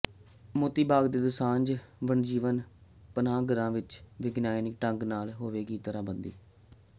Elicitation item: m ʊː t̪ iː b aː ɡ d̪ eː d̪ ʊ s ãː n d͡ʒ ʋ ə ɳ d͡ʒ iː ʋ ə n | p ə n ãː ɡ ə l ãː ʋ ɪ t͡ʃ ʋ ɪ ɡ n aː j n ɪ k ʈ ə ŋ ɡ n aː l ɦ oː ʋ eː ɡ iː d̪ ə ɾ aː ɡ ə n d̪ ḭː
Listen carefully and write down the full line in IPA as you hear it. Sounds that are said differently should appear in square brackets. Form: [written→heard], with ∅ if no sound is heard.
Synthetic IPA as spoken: m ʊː t̪ iː b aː ɡ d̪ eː d̪ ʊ s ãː n d͡ʒ ʋ ə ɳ d͡ʒ iː ʋ ə n | p ə n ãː ɡ ə [l→ɾ] ãː ʋ ɪ t͡ʃ ʋ ɪ ɡ n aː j n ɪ k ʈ ə ŋ ɡ n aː l ɦ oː ʋ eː ɡ iː [d̪→t̪] ə ɾ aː [ɡ→b] ə n d̪ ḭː